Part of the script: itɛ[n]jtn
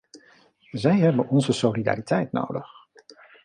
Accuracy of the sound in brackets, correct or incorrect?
incorrect